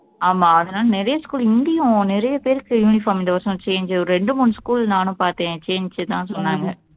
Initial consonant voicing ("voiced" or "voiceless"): voiced